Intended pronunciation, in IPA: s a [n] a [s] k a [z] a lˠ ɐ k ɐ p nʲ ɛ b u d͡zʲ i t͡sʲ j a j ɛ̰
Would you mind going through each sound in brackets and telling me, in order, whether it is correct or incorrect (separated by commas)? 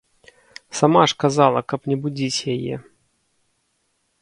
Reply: incorrect, incorrect, correct